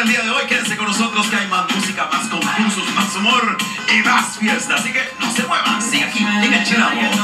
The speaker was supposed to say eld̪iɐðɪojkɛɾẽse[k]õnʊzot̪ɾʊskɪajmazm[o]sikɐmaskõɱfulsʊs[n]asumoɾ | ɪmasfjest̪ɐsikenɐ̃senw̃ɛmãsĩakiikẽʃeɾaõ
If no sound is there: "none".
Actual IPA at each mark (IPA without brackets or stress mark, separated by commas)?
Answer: k, u, m